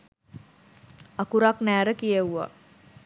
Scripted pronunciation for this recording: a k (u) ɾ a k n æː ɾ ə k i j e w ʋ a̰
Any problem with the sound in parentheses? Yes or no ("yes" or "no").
no